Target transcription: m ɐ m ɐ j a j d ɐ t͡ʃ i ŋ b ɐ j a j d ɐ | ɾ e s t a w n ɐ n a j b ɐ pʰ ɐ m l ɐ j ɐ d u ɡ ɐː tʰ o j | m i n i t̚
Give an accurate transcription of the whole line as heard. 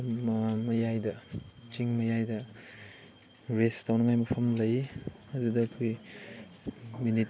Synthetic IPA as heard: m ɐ m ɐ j a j d ɐ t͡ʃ i ŋ m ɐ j a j d ɐ | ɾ e s t a w n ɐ ŋ a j m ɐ pʰ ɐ m l ɐ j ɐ d u d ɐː kʰ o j | m i n i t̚